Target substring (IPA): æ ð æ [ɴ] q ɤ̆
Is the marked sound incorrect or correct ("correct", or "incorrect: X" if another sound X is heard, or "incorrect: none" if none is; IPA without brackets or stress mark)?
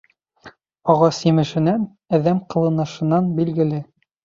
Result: incorrect: m